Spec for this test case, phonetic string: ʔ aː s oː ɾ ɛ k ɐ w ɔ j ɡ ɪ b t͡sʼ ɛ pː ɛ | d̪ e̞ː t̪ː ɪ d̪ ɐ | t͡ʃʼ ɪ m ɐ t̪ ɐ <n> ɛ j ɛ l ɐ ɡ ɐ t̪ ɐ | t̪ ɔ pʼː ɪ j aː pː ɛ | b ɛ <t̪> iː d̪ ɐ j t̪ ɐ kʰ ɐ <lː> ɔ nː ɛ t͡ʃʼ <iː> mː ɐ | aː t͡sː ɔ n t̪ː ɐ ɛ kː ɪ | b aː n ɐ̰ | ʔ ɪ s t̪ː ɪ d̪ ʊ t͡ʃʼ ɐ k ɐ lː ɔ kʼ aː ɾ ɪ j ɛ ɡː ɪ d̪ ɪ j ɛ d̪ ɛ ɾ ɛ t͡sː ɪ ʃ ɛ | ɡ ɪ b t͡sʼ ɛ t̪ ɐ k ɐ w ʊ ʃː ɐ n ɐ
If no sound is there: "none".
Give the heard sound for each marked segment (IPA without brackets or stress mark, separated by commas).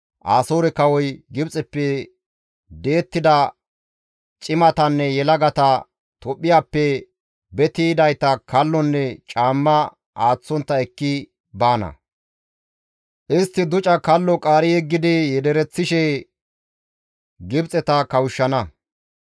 nː, t̪, lː, aː